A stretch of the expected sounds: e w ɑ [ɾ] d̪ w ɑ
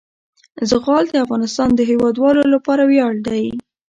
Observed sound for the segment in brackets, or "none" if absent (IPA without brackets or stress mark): none